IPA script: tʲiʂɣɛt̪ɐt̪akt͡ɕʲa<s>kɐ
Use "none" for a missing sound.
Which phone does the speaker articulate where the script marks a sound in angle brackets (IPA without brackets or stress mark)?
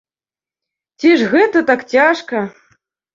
ʂ